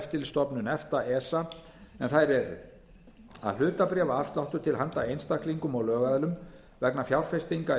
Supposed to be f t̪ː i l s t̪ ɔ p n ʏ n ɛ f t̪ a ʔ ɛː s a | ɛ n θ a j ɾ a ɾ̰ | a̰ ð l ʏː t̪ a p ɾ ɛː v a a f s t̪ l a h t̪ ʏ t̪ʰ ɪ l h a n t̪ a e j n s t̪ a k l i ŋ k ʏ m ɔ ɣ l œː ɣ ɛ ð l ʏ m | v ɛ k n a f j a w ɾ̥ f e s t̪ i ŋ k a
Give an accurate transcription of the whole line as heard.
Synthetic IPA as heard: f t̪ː ɪ l s t̪ ɔ p n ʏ n ɛ f t̪ a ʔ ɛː s a | ɛ n θ a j ɾ ɛ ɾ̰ | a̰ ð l ʏː t̪ a p ɾ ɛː v a a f s t̪ l a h t̪ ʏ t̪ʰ ɪ l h a n t̪ a e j n s t̪ a k l i ŋ k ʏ m ɔ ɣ l œː ɣ a ð l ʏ m | v ɛ k n a f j a w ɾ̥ f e s t̪ i ŋ k a